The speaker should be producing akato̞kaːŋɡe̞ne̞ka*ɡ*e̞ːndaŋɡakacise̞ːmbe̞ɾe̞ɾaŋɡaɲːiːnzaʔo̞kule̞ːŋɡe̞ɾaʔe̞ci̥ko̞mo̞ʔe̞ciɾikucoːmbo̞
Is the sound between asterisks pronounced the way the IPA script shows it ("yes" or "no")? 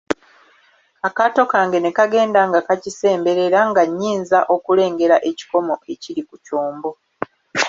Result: yes